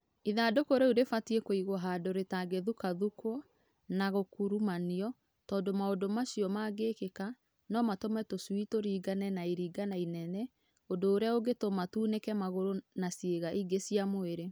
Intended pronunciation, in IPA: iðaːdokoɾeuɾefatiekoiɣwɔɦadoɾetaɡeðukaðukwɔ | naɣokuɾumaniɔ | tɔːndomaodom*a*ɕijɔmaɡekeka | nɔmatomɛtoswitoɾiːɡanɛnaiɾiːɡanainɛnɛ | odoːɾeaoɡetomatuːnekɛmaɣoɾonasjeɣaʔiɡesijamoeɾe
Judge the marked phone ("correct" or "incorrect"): correct